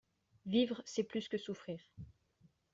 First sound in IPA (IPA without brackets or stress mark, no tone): v